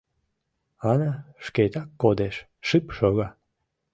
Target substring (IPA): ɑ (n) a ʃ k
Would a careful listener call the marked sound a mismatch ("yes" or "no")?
no